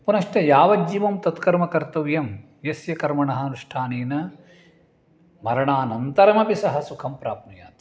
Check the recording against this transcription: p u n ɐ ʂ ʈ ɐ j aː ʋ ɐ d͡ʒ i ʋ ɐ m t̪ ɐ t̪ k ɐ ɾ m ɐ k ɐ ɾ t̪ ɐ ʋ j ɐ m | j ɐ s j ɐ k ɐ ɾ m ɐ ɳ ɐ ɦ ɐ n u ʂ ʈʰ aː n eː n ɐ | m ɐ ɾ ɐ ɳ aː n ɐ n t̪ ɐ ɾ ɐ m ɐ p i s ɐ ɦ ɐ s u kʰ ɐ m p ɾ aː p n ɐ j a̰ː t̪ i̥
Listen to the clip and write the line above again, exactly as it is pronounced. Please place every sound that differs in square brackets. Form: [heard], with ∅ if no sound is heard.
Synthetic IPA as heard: p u n ɐ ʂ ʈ ɐ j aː ʋ ɐ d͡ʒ i ʋ ɐ m t̪ ɐ t̪ k ɐ ɾ m ɐ k ɐ ɾ t̪ ɐ ʋ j ɐ m | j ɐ s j ɐ k ɐ ɾ m ɐ ɳ ɐ ɦ ɐ n u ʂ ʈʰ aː n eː n ɐ | m ɐ ɾ ɐ ɳ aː n ɐ n t̪ ɐ ɾ ɐ m ɐ p i s ɐ ɦ ɐ s u kʰ ɐ m p ɾ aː p n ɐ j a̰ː t̪ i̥